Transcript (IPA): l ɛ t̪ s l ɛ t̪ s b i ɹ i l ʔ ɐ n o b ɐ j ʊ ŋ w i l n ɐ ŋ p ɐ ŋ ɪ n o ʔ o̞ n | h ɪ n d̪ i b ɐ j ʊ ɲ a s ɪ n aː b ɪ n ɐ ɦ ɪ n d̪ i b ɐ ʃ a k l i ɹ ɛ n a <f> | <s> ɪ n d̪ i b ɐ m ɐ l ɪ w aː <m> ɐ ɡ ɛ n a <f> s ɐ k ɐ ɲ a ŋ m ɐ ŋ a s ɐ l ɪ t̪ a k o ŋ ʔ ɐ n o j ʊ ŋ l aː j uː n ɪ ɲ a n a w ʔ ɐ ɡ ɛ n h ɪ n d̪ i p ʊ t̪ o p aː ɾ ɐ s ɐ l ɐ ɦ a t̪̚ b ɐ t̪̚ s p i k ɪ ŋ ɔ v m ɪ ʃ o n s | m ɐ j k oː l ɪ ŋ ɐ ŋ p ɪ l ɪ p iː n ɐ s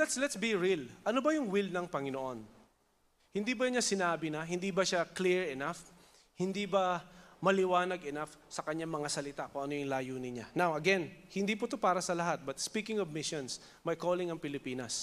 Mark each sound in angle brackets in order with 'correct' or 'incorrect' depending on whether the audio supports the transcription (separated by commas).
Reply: correct, incorrect, incorrect, correct